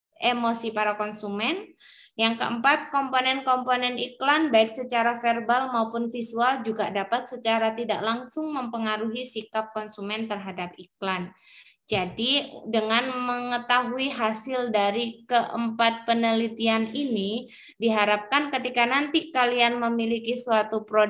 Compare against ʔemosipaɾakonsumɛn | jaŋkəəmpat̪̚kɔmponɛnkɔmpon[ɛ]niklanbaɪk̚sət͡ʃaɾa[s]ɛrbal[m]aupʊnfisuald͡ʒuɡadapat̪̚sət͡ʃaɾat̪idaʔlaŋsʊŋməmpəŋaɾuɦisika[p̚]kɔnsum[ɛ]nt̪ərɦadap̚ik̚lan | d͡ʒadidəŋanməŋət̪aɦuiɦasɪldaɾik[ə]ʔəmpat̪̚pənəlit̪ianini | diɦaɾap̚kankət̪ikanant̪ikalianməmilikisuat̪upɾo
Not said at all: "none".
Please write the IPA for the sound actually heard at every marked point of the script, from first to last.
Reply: ɛ, f, m, p̚, ɛ, ə

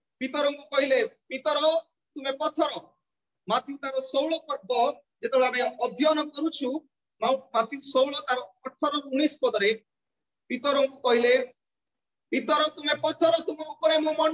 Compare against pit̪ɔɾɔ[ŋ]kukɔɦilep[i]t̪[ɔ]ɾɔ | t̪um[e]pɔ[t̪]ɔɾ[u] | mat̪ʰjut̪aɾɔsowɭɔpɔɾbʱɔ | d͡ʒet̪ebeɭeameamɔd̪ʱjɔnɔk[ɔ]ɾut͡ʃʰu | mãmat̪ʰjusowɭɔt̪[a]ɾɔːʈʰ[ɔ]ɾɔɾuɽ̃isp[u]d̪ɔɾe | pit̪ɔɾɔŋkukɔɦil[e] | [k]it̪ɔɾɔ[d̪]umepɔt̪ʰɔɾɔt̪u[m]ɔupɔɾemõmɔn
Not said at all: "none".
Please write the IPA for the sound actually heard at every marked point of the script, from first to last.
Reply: ŋ, i, ɔ, e, t̪ʰ, ɔ, ɔ, a, ɔ, ɔ, e, p, t̪, m

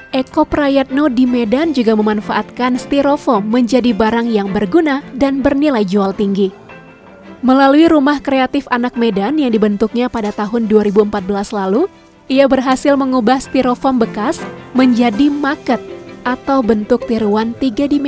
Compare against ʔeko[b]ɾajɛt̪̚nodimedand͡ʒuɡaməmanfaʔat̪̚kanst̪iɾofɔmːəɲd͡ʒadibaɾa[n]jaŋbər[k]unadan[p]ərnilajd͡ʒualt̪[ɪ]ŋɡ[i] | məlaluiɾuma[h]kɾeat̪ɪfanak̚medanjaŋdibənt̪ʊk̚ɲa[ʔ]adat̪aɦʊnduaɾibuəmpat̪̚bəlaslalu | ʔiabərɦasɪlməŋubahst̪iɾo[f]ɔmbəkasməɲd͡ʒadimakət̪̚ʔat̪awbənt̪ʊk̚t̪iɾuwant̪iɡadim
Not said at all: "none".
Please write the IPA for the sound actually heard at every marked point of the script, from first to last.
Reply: p, ŋ, ɡ, b, i, i, h, p, f

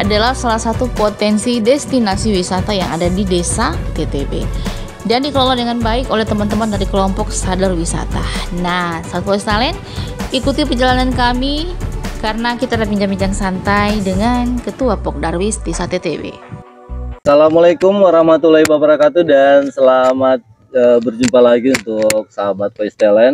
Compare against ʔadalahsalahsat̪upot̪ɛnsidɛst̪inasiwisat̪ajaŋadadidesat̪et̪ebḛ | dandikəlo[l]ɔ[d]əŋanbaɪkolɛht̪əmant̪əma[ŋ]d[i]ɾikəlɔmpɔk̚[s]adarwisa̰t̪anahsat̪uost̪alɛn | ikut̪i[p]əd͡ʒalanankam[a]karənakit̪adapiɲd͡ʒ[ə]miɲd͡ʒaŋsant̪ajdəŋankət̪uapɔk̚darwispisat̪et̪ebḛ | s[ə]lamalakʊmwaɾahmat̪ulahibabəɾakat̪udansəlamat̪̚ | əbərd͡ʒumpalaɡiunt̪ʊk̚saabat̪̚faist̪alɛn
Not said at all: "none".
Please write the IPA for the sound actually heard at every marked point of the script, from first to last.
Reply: l, d, n, a, s, p, i, a, a

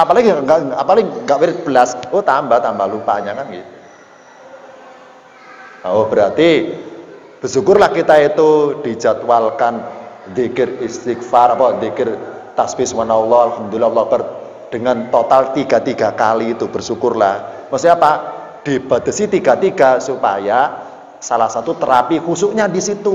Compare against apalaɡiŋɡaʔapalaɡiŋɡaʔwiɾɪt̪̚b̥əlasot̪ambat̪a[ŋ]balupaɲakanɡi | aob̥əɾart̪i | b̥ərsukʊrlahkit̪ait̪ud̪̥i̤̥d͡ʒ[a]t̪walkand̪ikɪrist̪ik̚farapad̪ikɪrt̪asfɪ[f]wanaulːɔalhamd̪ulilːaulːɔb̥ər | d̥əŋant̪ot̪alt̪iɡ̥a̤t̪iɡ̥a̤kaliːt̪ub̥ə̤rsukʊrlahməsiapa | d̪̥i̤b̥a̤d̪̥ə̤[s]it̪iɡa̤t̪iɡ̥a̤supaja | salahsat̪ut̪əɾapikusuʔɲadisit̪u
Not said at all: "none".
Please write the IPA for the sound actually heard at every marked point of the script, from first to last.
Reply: m, a, s, s

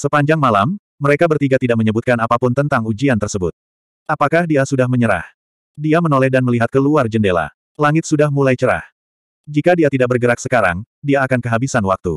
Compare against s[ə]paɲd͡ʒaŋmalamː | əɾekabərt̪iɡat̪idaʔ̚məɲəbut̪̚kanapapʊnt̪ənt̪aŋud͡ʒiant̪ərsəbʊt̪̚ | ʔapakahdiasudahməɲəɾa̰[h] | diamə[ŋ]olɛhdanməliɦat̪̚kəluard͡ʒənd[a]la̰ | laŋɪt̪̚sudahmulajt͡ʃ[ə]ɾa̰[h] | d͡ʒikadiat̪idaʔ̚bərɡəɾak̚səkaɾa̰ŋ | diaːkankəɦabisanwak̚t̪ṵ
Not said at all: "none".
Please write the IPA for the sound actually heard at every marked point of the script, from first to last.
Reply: ə, h, n, e, ə, h

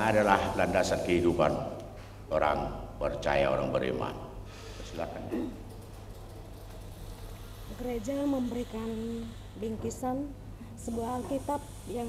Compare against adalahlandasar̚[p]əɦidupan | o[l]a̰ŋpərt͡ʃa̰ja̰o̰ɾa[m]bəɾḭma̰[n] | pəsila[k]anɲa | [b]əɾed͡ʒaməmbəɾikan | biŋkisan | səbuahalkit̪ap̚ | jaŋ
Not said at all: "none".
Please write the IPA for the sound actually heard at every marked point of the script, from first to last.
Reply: k, ɾ, ŋ, n, k, ɡ

